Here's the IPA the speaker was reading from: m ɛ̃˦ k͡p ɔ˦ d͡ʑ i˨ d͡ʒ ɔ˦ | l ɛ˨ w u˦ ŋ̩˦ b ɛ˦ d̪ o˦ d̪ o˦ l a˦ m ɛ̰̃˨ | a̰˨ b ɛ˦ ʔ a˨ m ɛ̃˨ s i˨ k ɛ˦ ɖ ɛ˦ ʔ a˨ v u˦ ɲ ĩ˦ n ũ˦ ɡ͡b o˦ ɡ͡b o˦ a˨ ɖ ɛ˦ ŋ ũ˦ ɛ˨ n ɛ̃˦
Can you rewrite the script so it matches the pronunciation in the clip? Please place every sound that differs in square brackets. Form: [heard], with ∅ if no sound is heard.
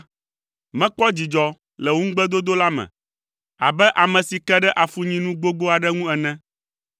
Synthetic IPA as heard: m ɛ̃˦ k͡p ɔ˦ d͡ʑ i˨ d͡ʒ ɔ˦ | l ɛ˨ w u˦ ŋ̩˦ [ɡ͡b] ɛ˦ d̪ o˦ d̪ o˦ l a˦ m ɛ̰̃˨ | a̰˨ b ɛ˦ ʔ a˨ m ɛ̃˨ s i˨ k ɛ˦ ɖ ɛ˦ ʔ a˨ [f] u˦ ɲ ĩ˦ n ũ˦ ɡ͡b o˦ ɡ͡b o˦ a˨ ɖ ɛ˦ ŋ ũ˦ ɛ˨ n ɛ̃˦

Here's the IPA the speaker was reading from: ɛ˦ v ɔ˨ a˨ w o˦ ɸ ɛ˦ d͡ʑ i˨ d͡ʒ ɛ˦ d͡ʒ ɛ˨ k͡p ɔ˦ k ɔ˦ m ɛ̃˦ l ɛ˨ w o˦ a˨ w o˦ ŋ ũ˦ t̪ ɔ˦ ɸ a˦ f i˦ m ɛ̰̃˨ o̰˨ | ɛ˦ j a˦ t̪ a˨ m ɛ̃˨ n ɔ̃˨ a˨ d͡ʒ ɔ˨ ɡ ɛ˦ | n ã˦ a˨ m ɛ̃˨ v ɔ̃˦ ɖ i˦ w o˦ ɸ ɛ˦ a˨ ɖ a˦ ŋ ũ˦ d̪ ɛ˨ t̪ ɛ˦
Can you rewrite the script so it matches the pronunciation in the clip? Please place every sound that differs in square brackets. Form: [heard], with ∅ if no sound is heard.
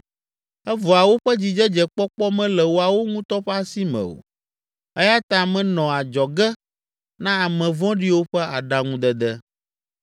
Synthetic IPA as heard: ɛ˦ v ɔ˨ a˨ w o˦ ɸ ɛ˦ d͡ʑ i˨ d͡ʒ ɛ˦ d͡ʒ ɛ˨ k͡p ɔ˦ [k͡p] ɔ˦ m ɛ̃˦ l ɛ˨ w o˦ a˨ w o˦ ŋ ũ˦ t̪ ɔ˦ ɸ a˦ [s] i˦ m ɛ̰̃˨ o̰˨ | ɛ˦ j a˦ t̪ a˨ m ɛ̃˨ n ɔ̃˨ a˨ d͡ʒ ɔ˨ ɡ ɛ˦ | n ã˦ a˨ m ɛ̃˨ v ɔ̃˦ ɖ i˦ w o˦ ɸ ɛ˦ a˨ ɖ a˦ ŋ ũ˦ d̪ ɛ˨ [d̪] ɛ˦

